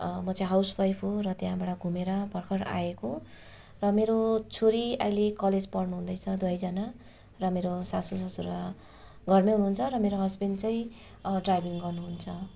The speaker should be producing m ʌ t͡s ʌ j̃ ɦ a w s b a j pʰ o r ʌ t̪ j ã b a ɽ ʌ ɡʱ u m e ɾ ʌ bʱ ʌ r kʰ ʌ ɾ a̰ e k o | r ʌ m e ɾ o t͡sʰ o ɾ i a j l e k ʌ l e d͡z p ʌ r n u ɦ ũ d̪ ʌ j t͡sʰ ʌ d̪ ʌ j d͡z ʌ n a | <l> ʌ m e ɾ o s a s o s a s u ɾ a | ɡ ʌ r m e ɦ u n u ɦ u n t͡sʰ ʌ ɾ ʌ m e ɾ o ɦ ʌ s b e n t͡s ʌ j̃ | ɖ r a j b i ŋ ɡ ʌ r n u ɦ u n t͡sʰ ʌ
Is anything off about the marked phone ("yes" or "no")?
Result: yes